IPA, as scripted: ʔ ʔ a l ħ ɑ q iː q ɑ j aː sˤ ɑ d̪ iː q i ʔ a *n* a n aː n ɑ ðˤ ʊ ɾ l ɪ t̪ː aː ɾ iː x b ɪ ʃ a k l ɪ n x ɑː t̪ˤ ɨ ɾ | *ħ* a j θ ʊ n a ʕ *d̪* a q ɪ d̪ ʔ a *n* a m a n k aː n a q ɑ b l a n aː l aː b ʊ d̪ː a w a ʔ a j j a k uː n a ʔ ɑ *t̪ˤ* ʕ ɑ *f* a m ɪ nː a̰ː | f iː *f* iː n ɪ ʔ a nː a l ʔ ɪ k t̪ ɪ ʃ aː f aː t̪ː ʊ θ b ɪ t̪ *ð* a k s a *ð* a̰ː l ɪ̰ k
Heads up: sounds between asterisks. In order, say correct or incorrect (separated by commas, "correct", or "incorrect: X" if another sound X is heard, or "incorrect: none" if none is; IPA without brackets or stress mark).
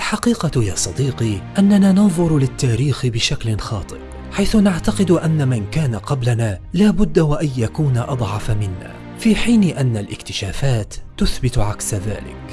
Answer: incorrect: nː, correct, incorrect: t̪, incorrect: nː, incorrect: d̪ˤ, correct, incorrect: ħ, incorrect: ʕ, correct